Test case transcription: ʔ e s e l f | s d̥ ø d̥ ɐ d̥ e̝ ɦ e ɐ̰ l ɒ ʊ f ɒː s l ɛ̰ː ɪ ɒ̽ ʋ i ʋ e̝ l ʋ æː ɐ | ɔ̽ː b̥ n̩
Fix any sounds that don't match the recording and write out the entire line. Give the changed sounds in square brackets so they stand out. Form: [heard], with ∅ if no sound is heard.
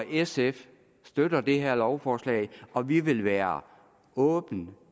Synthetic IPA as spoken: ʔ e s e [∅] f | s d̥ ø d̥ ɐ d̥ e̝ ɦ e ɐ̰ l ɒ ʊ f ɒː s l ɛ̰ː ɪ ɒ̽ ʋ i ʋ e̝ l ʋ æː ɐ | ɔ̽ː b̥ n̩